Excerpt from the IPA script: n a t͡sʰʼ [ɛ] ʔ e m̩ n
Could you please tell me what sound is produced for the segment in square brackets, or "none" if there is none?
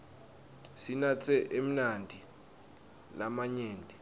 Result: ɛ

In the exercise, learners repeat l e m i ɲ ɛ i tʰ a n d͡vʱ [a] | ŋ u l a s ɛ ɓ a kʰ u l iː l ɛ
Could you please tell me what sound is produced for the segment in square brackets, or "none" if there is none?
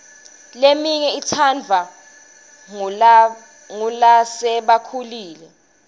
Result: a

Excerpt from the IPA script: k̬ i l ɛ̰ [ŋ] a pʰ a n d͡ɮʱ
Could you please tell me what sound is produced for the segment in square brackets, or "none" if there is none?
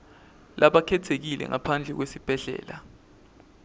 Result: ŋ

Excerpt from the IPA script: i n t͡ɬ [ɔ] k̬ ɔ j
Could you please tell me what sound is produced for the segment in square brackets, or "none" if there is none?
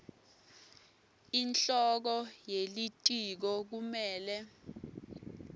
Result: ɔ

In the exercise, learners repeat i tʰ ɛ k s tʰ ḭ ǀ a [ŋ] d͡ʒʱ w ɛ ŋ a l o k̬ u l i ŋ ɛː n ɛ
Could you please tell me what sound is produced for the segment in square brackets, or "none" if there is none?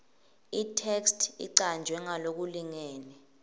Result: n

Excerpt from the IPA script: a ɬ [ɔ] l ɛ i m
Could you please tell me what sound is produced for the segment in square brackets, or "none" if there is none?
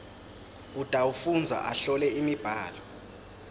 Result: ɔ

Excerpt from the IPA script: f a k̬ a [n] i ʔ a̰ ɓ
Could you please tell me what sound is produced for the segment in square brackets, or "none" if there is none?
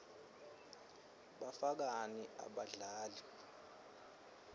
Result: n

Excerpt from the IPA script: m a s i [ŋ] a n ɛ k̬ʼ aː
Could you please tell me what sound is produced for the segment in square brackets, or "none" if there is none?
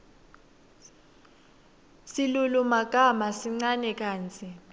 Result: ŋ͡ǀ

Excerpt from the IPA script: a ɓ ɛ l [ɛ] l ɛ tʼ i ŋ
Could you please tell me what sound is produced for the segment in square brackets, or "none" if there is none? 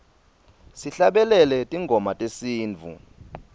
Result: ɛ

